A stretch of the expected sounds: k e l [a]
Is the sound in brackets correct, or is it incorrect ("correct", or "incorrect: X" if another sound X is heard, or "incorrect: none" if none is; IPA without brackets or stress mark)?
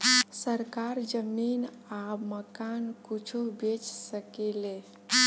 incorrect: e